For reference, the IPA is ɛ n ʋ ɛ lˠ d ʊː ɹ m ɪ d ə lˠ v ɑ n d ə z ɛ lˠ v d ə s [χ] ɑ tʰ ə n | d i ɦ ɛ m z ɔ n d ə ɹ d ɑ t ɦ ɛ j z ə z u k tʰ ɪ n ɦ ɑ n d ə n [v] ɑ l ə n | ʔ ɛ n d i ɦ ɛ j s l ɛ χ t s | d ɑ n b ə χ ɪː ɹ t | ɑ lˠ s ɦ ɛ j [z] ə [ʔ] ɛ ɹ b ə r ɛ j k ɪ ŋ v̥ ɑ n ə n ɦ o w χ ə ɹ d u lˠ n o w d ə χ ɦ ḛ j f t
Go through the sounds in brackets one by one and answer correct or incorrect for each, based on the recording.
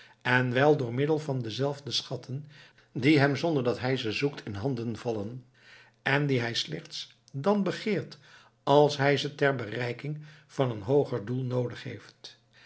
correct, correct, correct, incorrect: t

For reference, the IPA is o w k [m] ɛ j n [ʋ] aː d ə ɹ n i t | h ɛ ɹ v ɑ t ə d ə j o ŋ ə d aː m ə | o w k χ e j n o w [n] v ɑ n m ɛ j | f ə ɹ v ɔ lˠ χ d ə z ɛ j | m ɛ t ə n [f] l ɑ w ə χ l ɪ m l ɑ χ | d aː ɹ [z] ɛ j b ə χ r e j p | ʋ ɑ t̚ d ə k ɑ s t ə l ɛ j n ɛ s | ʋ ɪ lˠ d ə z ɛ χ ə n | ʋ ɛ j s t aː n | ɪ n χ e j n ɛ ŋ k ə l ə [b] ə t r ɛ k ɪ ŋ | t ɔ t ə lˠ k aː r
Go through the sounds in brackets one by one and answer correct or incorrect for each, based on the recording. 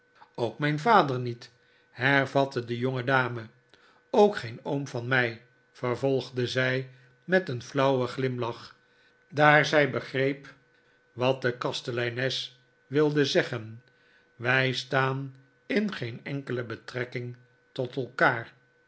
correct, incorrect: v, incorrect: m, correct, correct, correct

